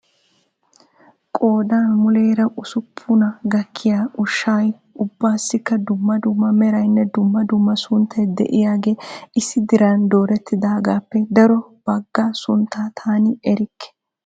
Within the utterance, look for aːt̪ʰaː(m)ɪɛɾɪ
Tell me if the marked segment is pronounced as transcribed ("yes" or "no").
no